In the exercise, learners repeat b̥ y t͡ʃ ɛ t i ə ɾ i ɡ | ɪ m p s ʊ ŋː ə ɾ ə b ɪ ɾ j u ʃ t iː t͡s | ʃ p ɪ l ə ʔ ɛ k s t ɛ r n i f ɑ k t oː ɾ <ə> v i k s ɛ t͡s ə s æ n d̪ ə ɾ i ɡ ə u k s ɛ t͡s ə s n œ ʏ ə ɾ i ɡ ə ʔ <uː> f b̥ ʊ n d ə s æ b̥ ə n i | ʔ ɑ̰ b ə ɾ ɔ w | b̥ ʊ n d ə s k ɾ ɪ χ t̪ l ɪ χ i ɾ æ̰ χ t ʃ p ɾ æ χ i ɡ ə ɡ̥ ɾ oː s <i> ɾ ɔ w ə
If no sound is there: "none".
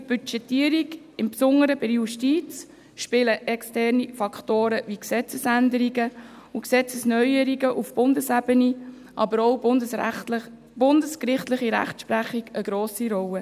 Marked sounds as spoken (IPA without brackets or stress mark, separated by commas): ə, u, i